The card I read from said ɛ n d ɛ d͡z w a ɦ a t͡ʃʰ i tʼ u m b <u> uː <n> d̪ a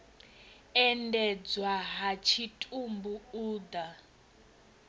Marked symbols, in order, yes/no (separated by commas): yes, no